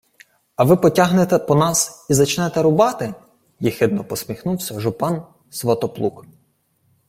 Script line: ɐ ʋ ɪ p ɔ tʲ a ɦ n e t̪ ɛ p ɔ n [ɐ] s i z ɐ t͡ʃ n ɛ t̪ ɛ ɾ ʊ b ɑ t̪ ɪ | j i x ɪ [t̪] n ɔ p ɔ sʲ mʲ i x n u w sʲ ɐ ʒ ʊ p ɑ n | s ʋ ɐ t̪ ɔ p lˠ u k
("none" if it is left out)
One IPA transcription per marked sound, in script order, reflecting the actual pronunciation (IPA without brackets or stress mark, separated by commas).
ɑ, d̪